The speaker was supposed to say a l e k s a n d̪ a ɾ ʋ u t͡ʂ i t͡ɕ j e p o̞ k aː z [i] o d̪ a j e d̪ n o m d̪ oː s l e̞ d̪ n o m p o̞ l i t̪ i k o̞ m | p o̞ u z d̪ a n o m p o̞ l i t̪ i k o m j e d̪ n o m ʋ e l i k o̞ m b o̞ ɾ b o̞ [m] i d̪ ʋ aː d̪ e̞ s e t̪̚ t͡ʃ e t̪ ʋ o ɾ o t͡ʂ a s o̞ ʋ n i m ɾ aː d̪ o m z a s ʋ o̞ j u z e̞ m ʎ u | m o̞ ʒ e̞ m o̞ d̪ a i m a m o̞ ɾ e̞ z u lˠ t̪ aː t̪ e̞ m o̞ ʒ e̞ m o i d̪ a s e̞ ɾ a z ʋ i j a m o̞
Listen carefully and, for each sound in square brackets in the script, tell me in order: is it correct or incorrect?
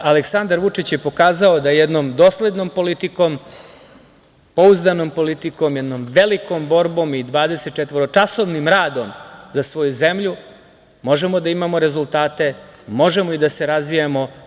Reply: incorrect: a, correct

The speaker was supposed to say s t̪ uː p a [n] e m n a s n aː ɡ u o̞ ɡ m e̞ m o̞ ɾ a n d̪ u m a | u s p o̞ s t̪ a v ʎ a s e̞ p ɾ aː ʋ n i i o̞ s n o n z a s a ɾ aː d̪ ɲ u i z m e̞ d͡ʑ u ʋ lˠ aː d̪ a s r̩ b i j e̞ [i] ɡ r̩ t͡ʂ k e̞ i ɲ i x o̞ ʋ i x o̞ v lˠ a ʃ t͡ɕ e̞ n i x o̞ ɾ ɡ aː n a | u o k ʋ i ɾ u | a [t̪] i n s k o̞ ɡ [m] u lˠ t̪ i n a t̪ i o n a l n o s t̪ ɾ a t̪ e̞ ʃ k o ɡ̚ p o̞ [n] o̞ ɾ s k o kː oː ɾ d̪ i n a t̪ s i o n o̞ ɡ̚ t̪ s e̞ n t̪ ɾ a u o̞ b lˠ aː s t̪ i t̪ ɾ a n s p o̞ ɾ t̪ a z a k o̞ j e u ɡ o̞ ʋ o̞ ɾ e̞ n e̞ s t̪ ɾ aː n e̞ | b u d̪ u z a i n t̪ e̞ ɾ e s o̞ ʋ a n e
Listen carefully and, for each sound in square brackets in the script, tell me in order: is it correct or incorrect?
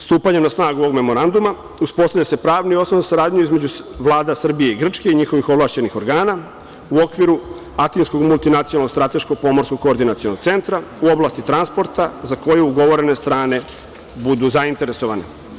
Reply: incorrect: ɲ, correct, correct, correct, incorrect: m

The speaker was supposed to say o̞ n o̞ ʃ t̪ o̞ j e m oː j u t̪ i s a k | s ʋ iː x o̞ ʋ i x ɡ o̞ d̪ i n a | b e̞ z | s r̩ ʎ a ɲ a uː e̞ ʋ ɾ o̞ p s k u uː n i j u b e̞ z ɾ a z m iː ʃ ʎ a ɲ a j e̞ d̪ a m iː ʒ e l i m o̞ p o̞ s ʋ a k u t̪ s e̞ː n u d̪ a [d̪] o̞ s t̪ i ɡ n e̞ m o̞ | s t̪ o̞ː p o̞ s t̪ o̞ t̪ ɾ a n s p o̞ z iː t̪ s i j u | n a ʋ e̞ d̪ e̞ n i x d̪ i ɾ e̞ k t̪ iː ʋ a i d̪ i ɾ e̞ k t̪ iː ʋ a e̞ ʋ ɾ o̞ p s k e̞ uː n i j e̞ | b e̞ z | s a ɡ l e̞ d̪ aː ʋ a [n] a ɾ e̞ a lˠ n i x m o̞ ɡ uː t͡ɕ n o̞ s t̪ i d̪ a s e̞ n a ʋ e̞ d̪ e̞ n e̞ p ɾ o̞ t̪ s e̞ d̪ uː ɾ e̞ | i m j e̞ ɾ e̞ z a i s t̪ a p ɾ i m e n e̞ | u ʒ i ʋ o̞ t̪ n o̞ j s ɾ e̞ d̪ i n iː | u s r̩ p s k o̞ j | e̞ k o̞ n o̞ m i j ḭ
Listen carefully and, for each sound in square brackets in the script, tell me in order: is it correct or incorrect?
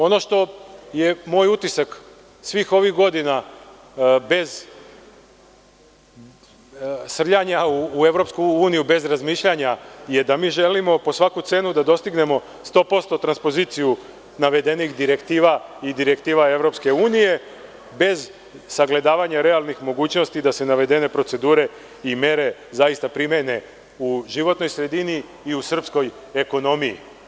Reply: correct, incorrect: ɲ

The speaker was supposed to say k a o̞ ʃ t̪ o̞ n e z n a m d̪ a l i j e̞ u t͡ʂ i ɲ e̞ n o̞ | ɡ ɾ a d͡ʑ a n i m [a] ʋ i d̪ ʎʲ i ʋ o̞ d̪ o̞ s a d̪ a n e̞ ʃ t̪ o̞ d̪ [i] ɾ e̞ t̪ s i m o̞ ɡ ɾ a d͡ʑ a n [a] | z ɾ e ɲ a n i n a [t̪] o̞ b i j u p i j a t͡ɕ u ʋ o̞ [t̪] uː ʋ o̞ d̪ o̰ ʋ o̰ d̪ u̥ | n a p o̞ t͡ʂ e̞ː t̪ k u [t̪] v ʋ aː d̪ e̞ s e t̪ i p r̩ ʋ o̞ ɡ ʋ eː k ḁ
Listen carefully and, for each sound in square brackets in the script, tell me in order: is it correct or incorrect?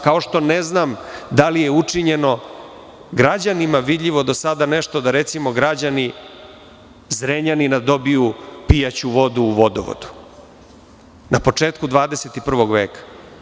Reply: correct, incorrect: a, incorrect: i, incorrect: d̪, incorrect: d̪, incorrect: d̪

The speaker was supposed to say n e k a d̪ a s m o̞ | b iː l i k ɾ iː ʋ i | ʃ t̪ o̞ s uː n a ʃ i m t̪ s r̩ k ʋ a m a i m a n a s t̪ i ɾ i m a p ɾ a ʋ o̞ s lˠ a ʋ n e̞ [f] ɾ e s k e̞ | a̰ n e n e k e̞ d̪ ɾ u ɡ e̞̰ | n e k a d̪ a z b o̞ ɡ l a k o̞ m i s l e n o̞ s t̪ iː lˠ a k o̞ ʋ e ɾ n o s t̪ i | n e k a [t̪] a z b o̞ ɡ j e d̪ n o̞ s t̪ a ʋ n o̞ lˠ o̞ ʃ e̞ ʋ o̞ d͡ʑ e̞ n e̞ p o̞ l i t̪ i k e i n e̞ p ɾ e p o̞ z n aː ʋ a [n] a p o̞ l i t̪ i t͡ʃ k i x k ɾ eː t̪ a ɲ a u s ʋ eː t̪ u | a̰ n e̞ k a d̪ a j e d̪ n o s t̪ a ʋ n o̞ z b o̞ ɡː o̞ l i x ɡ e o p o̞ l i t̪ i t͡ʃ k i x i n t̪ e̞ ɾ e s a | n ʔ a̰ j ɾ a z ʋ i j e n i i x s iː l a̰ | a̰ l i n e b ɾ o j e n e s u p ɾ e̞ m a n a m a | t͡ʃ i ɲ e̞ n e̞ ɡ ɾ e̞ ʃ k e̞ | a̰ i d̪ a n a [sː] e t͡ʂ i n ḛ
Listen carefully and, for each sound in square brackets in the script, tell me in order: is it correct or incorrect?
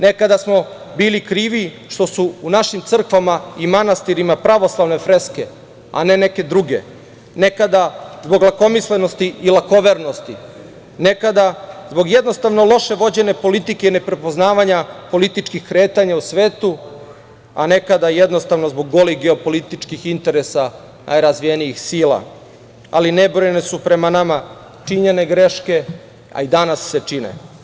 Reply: correct, incorrect: d̪, incorrect: ɲ, correct

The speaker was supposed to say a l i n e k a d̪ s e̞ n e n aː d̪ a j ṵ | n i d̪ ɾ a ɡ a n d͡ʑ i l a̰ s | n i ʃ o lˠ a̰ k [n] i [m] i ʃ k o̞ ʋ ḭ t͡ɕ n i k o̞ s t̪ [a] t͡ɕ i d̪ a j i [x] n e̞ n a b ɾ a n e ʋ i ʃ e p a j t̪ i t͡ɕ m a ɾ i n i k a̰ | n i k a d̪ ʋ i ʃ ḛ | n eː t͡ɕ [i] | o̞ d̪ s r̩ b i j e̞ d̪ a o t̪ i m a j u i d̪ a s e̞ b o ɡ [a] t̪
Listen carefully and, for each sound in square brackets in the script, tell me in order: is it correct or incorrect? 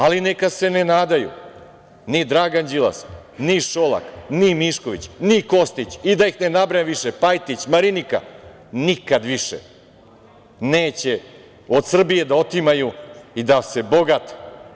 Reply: correct, correct, incorrect: i, correct, incorrect: e, correct

